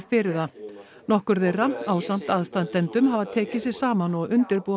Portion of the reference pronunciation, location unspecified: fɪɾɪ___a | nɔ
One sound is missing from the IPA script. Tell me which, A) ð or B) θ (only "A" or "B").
A